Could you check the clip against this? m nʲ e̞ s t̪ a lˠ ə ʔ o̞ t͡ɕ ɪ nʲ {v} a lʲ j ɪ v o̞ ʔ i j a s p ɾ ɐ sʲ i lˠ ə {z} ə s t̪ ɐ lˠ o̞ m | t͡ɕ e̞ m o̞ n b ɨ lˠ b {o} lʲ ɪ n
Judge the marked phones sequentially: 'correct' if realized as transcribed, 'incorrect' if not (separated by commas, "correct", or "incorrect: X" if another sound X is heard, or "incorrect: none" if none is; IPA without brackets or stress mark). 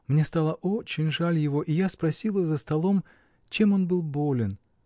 incorrect: ʐ, correct, correct